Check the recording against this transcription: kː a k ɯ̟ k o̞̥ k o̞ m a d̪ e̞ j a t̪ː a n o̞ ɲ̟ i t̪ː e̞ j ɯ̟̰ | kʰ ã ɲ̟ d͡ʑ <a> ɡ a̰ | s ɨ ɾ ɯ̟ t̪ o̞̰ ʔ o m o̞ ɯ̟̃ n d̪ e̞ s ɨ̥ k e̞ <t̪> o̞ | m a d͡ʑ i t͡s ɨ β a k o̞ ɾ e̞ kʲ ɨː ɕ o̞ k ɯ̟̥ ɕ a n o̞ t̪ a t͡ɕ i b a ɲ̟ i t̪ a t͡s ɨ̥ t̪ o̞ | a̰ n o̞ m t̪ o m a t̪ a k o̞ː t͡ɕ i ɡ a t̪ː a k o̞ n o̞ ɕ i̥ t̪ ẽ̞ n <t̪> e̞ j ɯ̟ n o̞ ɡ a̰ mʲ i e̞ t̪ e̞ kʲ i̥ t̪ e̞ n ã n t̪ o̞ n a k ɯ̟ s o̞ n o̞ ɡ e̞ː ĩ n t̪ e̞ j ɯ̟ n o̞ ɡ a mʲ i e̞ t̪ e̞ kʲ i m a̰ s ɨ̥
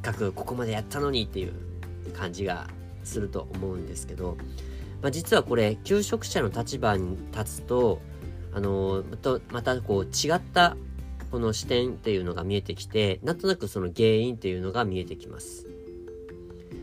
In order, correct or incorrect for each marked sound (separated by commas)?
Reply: incorrect, incorrect, correct